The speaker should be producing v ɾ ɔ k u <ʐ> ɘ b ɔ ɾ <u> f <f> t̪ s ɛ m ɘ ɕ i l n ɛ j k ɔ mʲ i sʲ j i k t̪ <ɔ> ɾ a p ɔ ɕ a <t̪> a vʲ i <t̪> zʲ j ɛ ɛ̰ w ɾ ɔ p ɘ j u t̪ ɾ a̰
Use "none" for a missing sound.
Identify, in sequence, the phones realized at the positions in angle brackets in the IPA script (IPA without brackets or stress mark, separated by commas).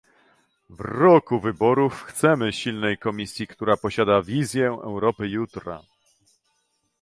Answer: v, u, x, u, d̪, none